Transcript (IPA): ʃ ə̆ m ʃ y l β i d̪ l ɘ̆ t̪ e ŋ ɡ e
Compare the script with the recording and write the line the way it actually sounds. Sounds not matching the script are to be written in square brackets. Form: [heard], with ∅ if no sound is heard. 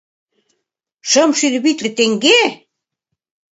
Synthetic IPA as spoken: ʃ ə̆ m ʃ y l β i [t̪] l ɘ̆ t̪ e ŋ ɡ e